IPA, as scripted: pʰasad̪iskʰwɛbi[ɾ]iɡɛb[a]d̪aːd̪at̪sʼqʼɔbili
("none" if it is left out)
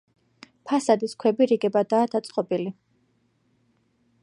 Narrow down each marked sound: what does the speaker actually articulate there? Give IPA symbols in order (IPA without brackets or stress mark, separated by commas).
ɾ, a